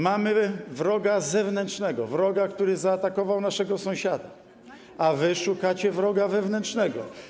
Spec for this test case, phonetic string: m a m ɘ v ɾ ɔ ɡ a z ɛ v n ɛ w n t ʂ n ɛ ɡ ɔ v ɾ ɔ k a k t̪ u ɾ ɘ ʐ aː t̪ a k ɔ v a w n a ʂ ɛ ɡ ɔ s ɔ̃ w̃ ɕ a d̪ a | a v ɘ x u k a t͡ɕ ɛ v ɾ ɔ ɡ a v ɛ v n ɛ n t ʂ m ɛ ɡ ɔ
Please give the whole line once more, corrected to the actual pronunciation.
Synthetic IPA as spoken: m a m ɘ v ɾ ɔ ɡ a z ɛ v n ɛ n t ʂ n ɛ ɡ ɔ v ɾ ɔ ɡ a k t̪ u ɾ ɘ z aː t̪ a k ɔ v a w n a ʂ ɛ ɡ ɔ s ɔ̃ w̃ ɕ a d̪ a | a v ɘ ʂ u k a t͡ɕ ɛ v ɾ ɔ ɡ a v ɛ v n ɛ n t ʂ n ɛ ɡ ɔ